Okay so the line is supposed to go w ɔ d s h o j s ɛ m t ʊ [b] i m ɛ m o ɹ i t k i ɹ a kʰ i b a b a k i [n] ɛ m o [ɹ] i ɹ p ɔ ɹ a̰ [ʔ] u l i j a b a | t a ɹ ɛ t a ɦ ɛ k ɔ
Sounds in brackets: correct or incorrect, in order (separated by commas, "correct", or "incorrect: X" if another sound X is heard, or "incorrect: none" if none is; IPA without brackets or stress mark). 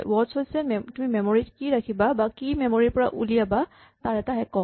incorrect: m, incorrect: m, correct, correct